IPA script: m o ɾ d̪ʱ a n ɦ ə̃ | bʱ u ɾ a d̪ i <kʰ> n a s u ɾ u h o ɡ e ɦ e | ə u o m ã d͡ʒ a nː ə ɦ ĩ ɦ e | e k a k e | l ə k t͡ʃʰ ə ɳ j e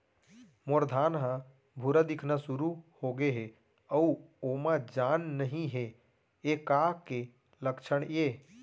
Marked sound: correct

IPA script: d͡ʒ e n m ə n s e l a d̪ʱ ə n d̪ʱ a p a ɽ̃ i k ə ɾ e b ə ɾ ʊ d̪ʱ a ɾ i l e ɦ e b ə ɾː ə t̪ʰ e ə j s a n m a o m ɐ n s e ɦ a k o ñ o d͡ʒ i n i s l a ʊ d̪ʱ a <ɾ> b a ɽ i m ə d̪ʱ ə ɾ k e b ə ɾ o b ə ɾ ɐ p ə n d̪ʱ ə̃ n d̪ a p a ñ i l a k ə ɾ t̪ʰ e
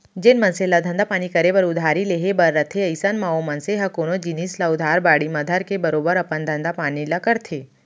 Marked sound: correct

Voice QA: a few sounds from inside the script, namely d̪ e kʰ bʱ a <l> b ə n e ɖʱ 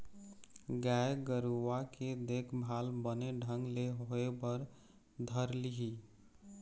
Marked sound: correct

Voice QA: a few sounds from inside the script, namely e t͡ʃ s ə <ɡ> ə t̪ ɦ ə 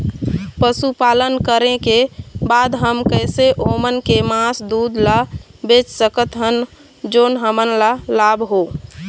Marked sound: incorrect: k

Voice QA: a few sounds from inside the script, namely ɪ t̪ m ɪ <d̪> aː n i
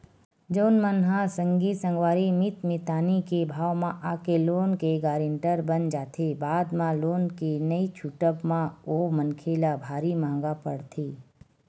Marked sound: incorrect: t̪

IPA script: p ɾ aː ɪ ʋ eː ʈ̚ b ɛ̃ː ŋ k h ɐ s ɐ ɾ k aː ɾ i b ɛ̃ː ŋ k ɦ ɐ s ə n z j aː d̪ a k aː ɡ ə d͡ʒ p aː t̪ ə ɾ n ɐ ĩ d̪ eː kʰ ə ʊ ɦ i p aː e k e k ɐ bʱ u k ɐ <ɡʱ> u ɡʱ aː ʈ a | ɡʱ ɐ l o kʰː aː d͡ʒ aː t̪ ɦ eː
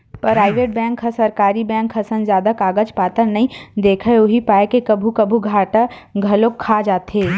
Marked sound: incorrect: bʱ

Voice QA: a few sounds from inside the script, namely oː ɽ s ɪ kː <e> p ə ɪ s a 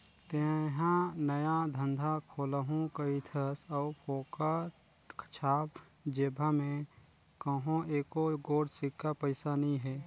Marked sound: incorrect: a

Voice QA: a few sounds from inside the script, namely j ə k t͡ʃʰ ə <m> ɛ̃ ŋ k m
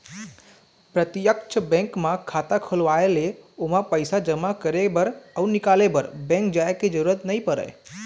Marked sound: incorrect: b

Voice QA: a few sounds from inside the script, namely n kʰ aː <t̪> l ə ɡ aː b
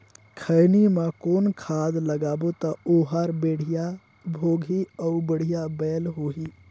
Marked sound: incorrect: d̪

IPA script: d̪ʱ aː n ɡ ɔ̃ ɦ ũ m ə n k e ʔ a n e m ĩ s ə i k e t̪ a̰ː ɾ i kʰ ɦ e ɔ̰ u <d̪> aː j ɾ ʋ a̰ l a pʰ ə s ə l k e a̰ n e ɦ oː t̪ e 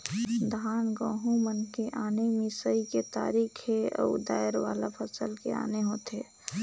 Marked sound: correct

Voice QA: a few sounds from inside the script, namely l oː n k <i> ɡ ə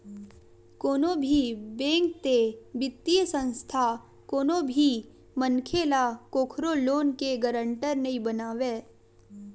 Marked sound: incorrect: e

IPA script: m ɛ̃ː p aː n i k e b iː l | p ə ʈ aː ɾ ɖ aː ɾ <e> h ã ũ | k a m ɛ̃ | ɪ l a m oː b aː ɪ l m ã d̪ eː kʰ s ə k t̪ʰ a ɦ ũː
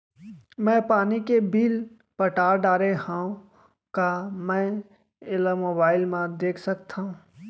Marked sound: correct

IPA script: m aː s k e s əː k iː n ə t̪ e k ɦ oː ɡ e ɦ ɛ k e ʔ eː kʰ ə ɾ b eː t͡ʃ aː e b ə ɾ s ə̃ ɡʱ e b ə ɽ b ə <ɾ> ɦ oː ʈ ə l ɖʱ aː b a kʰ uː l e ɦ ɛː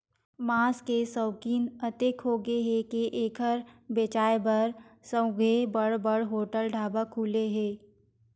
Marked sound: incorrect: ɽ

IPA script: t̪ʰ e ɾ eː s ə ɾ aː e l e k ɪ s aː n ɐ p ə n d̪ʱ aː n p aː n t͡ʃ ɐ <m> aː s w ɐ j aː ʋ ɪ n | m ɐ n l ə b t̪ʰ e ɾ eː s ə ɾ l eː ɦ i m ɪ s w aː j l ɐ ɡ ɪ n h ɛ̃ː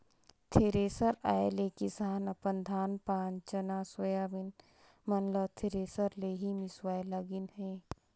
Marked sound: incorrect: n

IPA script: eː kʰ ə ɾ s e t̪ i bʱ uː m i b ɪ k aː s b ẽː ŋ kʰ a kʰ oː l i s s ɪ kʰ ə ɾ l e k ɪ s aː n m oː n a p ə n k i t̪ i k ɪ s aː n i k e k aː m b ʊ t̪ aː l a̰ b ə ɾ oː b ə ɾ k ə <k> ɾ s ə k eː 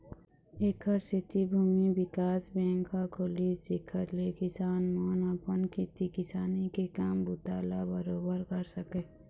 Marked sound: incorrect: none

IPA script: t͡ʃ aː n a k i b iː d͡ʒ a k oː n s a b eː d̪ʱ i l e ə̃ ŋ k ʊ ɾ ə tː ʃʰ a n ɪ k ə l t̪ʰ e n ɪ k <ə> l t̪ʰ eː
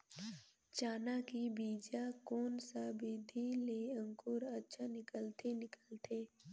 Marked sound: correct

